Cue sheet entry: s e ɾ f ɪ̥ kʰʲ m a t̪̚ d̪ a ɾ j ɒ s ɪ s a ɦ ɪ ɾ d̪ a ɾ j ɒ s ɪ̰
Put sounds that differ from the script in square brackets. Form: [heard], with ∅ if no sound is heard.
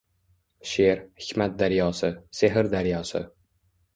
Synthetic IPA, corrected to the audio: [ʃ] e ɾ [h] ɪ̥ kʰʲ m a t̪̚ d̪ a ɾ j ɒ s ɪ s [e] ɦ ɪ ɾ d̪ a ɾ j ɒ s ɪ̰

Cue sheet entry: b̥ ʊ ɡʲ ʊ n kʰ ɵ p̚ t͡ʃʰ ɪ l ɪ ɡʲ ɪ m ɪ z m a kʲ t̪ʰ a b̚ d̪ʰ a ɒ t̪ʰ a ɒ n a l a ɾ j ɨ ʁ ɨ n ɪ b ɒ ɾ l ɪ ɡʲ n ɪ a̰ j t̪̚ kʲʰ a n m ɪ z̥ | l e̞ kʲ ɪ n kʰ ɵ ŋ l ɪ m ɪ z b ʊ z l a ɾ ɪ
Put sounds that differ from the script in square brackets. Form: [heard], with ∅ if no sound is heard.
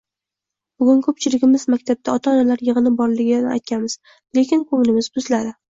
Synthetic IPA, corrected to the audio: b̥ ʊ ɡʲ ʊ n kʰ ɵ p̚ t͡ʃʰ ɪ l ɪ ɡʲ ɪ m ɪ z m a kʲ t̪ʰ a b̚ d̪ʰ a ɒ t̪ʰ a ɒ n a l a ɾ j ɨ ʁ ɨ n ɪ b ɒ ɾ l ɪ ɡʲ n ɪ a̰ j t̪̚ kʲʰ a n m ɪ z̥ | l e̞ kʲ ɪ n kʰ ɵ ŋ l ɪ m ɪ z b ʊ z l a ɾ ɪ

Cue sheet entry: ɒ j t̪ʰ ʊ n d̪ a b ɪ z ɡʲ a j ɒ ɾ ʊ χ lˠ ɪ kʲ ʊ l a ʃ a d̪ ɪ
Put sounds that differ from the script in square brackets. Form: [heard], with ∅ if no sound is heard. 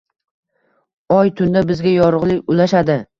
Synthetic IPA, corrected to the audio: ɒ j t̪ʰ ʊ n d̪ a b ɪ z ɡʲ a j ɒ ɾ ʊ [ʁ] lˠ ɪ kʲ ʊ l a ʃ a d̪ ɪ

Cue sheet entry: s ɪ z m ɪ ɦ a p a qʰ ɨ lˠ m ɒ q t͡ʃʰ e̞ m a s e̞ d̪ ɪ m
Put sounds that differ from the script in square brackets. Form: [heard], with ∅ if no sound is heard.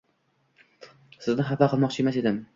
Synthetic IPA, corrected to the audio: s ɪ z [n] ɪ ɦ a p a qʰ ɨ lˠ m ɒ q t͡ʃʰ e̞ m a s e̞ d̪ ɪ m

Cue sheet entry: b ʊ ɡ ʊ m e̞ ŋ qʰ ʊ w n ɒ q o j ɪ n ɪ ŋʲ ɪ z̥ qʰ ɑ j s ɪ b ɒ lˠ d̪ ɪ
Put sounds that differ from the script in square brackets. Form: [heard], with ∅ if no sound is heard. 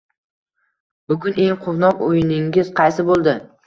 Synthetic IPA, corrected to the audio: b ʊ ɡ ʊ [n] e̞ ŋ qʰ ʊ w n ɒ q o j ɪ n ɪ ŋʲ ɪ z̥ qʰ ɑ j s ɪ b [o] lˠ d̪ ɪ

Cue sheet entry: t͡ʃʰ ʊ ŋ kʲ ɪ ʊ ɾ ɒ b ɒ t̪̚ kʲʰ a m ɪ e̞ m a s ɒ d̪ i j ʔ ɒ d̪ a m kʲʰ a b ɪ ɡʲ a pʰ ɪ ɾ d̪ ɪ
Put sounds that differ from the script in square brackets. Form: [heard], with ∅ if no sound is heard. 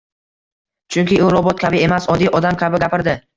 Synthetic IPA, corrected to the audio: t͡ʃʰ ʊ ŋ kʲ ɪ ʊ ɾ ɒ b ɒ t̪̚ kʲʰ a [b] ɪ e̞ m a s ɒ d̪ i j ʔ ɒ d̪ a m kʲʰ a b ɪ ɡʲ a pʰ ɪ ɾ d̪ ɪ

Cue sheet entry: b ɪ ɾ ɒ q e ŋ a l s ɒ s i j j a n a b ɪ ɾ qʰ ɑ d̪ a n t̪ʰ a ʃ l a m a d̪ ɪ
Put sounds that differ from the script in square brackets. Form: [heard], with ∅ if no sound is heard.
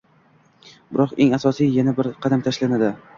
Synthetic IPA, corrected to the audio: b ɪ ɾ ɒ q e ŋ a [∅] s ɒ s i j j a n a b ɪ ɾ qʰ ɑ d̪ a [m] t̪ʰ a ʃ l a [n] a d̪ ɪ

